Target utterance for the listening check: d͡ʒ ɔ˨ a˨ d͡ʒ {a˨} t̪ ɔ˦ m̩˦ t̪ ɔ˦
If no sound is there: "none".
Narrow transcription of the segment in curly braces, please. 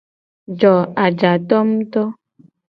a˨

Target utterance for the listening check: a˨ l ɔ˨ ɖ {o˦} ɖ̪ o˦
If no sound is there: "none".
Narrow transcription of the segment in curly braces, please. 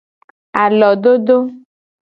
o˦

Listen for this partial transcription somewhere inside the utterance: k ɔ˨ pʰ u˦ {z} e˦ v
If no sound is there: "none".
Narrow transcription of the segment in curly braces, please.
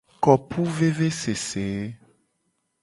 v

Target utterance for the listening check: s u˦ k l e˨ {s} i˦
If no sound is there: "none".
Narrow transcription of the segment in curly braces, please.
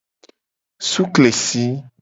s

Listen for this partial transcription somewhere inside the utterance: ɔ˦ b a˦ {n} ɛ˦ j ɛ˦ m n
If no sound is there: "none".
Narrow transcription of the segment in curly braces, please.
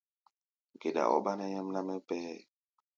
n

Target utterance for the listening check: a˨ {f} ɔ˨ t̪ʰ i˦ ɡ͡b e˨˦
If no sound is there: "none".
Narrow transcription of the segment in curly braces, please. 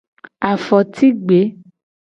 f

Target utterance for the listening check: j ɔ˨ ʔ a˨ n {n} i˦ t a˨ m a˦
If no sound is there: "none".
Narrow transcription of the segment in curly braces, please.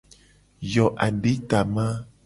d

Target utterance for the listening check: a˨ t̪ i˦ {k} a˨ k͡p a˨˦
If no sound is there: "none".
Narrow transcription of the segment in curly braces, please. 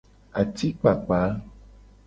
k͡p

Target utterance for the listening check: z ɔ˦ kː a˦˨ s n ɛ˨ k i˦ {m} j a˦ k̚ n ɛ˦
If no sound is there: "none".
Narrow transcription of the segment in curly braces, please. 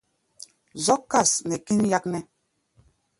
n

